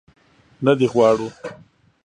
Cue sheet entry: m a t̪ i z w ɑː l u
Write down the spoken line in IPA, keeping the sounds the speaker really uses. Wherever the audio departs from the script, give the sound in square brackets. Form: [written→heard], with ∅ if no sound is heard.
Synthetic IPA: [m→n] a [t̪→d̪] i [z→ɣ] w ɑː [l→ɽ] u